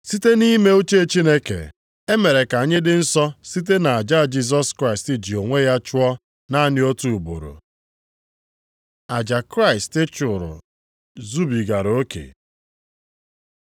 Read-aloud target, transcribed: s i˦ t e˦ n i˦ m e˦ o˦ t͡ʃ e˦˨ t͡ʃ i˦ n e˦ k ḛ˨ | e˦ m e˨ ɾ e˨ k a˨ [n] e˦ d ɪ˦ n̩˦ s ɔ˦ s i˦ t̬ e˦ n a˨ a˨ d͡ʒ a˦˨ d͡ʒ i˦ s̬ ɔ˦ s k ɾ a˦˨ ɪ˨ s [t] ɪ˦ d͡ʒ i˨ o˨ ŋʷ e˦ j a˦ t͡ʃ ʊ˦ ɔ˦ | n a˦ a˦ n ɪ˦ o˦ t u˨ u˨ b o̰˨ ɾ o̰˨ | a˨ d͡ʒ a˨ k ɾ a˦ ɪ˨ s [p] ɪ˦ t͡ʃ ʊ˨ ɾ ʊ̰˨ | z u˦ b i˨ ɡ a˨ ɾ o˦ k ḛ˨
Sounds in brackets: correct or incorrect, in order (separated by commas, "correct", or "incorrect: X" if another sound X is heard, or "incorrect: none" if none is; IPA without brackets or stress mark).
incorrect: ɲ, correct, incorrect: t